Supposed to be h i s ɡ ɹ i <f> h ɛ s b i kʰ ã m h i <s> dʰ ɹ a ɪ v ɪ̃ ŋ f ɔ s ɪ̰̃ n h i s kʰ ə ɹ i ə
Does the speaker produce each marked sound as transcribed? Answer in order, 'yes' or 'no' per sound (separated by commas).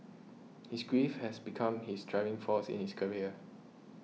yes, yes